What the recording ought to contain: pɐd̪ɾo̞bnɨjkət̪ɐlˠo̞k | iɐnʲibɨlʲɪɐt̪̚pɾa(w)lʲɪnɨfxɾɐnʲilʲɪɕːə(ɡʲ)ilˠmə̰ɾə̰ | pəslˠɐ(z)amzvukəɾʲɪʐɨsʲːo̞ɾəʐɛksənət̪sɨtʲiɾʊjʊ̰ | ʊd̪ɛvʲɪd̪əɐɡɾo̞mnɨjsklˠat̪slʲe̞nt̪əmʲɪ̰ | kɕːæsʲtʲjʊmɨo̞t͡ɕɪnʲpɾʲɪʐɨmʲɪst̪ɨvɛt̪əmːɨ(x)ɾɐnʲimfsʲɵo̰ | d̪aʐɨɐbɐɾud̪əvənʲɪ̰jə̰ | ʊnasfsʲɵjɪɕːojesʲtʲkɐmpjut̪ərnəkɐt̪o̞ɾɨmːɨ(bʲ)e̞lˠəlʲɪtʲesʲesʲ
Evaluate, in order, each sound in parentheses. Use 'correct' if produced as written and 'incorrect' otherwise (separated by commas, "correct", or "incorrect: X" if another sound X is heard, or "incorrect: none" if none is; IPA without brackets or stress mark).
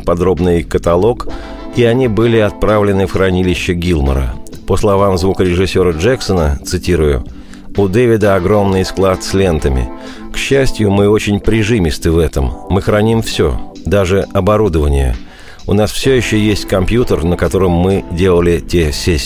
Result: incorrect: v, correct, incorrect: v, correct, incorrect: dʲ